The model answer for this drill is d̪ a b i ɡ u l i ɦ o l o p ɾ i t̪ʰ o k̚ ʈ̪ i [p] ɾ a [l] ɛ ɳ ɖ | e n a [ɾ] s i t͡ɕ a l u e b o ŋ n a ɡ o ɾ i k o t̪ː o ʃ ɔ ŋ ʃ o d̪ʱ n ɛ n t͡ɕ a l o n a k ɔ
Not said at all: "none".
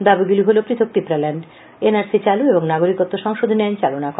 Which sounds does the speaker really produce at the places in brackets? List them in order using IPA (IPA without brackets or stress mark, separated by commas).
p, l, ɾ